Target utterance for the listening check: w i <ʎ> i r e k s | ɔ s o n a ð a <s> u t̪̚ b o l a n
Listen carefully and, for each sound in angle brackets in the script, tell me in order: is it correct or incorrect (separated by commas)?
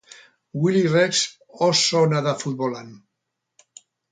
incorrect, incorrect